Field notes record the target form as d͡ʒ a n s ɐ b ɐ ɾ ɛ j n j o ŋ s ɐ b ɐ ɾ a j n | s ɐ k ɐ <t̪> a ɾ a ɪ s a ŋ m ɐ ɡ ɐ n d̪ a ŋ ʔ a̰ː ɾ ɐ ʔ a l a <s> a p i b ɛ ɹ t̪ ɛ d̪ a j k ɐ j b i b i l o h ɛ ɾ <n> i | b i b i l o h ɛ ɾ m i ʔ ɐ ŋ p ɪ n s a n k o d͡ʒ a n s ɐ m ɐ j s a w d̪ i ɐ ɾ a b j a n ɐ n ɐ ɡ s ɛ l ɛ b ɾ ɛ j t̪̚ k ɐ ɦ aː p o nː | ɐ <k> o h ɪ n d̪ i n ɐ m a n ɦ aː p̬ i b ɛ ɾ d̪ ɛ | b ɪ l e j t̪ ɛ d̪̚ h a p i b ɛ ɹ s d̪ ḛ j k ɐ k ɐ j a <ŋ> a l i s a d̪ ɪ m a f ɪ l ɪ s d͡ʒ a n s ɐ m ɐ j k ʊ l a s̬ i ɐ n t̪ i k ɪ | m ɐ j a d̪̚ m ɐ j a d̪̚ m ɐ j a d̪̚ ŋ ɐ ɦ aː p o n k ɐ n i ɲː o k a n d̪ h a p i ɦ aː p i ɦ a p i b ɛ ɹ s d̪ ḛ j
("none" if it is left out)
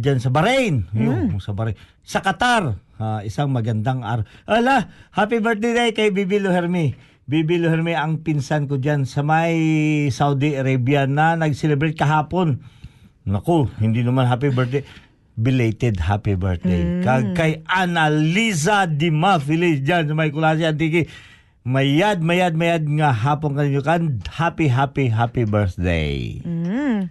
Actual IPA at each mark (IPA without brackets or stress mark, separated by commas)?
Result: t̪, h, m, k, n